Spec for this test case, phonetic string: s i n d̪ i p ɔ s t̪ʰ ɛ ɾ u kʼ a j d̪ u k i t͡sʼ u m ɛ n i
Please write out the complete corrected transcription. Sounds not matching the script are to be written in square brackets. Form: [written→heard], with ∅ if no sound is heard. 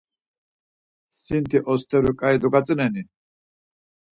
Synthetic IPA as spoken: s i n [d̪→t̪] i [p→ʔ] ɔ s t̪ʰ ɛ ɾ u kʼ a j d̪ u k [i→a] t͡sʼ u [m→n] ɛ n i